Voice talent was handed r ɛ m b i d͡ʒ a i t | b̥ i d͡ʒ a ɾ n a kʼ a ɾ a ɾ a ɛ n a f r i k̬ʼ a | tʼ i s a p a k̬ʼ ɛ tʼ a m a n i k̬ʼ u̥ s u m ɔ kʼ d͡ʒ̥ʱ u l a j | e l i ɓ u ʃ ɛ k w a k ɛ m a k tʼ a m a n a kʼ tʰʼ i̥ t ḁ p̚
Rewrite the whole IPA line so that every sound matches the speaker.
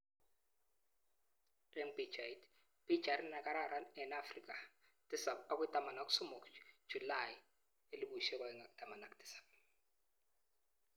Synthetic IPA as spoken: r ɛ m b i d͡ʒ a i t | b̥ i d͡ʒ a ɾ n a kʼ a ɾ a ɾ a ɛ n a f r i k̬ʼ a | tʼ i s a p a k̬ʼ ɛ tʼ a m a n a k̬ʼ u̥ s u m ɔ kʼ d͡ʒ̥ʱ u l a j | e l i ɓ u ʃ ɛ k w a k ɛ ŋ a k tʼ a m a n a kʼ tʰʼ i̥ s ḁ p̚